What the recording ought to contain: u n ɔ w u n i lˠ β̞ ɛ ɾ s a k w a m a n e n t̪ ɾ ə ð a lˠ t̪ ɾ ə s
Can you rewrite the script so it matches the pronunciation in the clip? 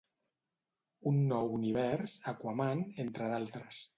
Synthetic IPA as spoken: u nː ɔ w u n i β̞ ɛ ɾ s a k w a m a n e n t̪ ɾ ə ð a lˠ t̪ ɾ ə s

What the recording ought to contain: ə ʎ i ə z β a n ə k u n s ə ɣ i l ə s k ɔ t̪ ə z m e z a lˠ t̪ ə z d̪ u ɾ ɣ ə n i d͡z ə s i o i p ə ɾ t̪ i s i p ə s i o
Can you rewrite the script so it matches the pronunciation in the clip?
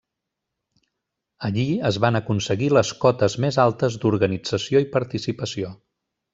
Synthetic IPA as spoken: ə ʎ i ə z β a n ə k u n s ə ɣ i l ə s k ɔ t̪ ə z m e z a lˠ t̪ ə z d̪ u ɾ ɣ ə n i d͡z ə s i o i p ə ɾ t̪ i s i p ə s i o

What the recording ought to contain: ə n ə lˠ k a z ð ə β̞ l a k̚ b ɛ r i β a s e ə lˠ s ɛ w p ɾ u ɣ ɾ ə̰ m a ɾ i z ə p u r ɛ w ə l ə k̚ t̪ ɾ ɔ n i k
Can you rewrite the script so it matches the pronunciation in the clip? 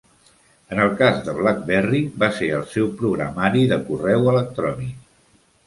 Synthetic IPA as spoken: ə n ə lˠ k a z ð ə β̞ l a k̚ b ɛ r i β a s e ə lˠ s ɛ w p ɾ u ɣ ɾ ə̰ m a ɾ i ð ə k u r ɛ w ə l ə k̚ t̪ ɾ ɔ n i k

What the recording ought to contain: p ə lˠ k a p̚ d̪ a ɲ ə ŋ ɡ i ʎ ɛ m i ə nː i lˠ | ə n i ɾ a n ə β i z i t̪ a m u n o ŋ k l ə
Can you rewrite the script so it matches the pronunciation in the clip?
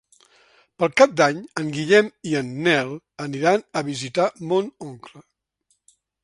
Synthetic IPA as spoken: p ə lˠ k a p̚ d̪ a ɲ ə ŋ ɡ i ʎ ɛ m i ə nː ɛ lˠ | ə n i ɾ a n ə β i z i t̪ a m o n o ŋ k l ə

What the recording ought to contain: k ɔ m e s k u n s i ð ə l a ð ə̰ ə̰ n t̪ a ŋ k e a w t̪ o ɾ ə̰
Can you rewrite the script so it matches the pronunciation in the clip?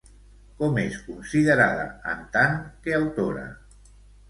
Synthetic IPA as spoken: k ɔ m e s k u n s i ð ə ɾ a ð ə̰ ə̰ n t̪ a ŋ k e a w t̪ o ɾ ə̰

